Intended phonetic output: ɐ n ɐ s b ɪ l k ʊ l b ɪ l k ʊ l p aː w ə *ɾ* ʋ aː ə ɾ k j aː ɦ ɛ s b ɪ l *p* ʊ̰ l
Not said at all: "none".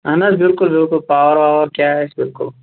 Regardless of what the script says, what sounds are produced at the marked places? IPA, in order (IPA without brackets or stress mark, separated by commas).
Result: ɾ, k